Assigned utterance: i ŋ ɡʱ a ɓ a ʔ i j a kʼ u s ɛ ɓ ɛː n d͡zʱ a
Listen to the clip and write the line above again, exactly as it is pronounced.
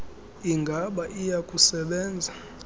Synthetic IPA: i ŋ ɡʱ a ɓ a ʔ i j a kʼ u s ɛ ɓ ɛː n d͡zʱ a